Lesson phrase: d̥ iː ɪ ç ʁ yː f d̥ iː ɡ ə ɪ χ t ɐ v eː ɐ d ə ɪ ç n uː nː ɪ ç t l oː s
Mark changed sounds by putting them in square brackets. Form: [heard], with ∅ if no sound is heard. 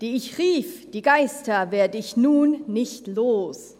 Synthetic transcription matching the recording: d̥ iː ɪ ç ʁ [iː] f d̥ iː ɡ [a] ɪ [s] t ɐ v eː ɐ d ə ɪ ç n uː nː ɪ ç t l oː s